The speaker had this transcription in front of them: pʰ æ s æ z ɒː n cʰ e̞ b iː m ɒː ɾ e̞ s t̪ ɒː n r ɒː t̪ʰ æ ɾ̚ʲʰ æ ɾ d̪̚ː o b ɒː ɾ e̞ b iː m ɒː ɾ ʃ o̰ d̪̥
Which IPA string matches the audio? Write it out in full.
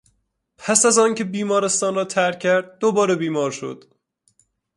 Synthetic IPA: pʰ æ s æ z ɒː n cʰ e̞ b iː m ɒː ɾ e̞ s t̪ ɒː n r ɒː t̪ʰ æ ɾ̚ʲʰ æ ɾ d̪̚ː o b ɒː ɾ e̞ b iː m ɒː ɾ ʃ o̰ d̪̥